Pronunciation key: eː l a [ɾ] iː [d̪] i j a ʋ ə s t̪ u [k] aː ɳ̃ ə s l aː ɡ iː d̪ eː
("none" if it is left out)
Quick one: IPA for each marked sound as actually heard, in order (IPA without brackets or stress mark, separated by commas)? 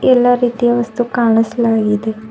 ɾ, t̪, k